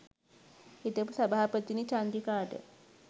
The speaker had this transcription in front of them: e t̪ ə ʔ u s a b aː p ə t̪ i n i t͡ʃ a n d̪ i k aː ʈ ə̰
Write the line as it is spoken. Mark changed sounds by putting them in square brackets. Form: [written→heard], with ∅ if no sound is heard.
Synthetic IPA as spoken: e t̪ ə [ʔ→p] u s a b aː p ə t̪ i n i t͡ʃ a n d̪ i k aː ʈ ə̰